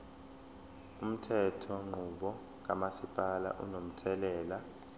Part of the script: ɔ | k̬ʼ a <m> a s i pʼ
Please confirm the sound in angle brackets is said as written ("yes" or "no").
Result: yes